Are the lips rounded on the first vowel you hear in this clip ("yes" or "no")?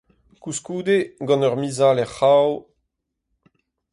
yes